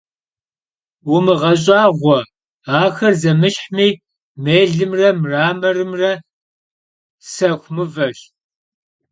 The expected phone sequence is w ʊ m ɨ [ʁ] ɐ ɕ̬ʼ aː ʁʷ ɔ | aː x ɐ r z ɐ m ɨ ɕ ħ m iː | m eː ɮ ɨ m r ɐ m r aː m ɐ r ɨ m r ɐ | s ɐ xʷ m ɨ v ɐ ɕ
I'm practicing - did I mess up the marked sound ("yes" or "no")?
no